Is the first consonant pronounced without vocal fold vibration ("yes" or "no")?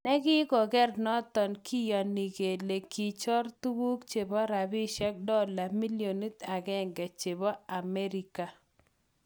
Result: no